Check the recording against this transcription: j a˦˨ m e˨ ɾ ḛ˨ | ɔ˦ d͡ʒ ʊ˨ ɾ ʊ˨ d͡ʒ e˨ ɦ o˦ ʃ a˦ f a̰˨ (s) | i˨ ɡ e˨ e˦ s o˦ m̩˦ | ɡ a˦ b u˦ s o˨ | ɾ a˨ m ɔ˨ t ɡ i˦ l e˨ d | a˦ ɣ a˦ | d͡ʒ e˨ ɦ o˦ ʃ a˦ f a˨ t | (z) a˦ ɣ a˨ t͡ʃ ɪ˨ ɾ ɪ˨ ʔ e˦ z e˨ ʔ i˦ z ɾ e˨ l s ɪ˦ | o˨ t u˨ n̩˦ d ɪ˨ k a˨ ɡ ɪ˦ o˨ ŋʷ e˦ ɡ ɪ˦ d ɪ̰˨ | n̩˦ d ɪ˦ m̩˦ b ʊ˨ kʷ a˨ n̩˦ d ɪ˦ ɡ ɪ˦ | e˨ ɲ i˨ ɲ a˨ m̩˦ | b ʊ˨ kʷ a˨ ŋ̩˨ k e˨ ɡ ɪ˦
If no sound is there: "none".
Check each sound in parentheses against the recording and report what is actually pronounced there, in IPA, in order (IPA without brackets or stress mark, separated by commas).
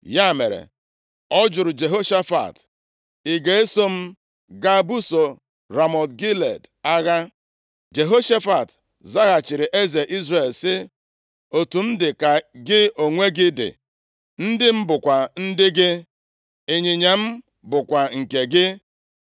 t, z